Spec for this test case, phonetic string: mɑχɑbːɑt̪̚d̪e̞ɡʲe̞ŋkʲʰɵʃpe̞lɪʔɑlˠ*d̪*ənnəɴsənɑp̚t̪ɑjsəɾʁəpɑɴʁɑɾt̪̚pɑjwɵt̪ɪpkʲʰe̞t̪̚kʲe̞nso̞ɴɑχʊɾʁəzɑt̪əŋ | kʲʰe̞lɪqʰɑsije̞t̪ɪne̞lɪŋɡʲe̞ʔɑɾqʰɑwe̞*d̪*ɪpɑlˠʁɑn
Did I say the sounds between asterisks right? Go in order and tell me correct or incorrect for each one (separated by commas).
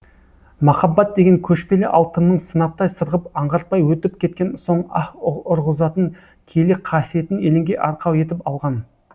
incorrect, incorrect